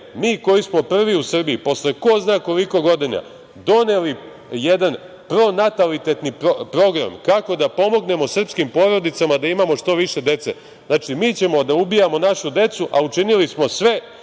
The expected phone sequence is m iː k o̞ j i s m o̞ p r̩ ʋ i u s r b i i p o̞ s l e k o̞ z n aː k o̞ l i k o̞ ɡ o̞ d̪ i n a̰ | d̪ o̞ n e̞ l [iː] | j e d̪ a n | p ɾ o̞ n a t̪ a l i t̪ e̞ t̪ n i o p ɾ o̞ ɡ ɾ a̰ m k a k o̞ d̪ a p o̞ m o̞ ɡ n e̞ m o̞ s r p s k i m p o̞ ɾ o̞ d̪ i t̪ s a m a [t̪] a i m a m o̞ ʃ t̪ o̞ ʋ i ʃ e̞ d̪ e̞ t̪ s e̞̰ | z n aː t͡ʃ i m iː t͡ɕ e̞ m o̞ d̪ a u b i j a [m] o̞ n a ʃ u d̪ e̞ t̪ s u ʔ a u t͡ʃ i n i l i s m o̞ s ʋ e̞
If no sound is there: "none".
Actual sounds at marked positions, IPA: i, d̪, m

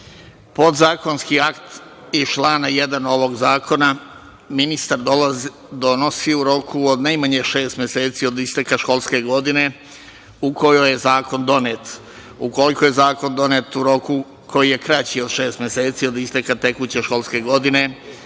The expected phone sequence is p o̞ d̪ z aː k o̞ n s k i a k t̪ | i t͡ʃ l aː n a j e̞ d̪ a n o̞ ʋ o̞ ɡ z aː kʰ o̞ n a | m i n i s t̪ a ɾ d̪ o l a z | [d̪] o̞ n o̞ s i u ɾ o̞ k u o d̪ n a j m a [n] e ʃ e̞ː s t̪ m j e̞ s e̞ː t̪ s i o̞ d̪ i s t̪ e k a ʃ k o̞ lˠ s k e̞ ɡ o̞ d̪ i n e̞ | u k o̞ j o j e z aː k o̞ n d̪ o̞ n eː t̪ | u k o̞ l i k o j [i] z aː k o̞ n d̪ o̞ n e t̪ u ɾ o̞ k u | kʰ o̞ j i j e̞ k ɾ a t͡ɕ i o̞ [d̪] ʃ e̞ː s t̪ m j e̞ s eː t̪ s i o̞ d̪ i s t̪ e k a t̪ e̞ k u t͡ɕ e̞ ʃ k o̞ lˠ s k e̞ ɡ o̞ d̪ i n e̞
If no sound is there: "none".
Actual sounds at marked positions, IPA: d̪, ɲ, e, d̪

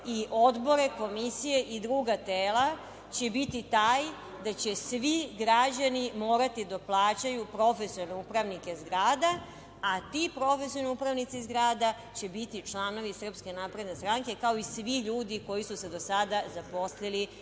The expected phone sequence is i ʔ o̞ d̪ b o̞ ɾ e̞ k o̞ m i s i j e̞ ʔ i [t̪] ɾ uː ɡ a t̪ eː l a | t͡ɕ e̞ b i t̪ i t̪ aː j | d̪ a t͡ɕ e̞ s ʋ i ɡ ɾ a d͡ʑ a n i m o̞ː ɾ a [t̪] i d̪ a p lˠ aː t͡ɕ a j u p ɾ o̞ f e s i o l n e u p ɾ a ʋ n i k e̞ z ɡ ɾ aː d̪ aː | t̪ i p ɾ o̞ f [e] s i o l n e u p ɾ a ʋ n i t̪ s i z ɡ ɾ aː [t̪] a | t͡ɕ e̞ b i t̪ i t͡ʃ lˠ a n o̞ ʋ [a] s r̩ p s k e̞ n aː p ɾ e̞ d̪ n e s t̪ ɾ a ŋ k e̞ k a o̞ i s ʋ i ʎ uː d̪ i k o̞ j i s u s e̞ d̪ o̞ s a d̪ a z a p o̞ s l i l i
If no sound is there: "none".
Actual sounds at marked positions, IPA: d̪, t̪, e, d̪, i

